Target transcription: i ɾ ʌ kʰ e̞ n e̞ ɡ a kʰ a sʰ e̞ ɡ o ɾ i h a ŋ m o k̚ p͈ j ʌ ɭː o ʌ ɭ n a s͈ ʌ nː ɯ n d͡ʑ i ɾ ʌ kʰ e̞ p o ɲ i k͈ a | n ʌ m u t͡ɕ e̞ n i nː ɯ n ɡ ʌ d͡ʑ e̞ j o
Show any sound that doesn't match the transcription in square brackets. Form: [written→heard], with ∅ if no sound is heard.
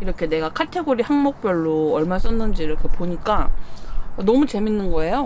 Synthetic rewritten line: i ɾ ʌ kʰ e̞ n e̞ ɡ a kʰ a [sʰ→tʰ] e̞ ɡ o ɾ i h a ŋ m o k̚ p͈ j ʌ ɭː o ʌ ɭ [n→m] a s͈ ʌ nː ɯ n d͡ʑ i ɾ ʌ kʰ e̞ p o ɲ i k͈ a | n ʌ m u t͡ɕ e̞ [n→m] i nː ɯ n ɡ ʌ [d͡ʑ→∅] e̞ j o